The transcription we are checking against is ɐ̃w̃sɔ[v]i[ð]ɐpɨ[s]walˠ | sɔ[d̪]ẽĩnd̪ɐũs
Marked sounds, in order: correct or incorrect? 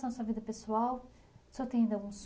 correct, correct, correct, incorrect: t̪

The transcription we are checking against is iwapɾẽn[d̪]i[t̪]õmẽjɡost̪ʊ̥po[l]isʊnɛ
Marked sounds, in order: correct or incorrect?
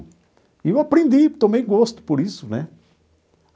correct, correct, incorrect: ɾ

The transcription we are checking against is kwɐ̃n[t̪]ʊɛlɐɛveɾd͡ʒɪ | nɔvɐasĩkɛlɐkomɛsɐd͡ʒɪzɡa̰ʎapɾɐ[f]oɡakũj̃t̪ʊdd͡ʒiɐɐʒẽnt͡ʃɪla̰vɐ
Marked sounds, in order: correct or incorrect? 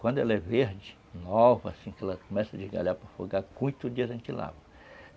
incorrect: d̪, correct

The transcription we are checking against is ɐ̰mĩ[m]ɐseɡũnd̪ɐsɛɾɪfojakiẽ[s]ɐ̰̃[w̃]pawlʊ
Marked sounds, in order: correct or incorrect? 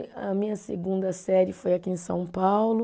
incorrect: ɲ, correct, correct

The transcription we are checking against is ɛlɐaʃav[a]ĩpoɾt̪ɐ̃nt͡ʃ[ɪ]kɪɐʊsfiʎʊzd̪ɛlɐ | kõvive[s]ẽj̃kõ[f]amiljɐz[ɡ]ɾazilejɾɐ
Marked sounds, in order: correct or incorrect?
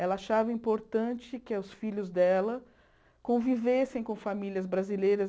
incorrect: ɐ, correct, correct, correct, incorrect: b

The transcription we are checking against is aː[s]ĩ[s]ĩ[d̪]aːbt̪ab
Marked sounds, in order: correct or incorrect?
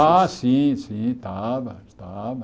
correct, correct, incorrect: t̪

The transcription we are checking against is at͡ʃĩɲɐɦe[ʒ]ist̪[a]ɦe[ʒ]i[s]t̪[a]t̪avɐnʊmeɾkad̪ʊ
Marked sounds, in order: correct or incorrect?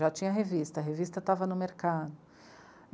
incorrect: v, incorrect: ɐ, incorrect: v, correct, incorrect: ɐ

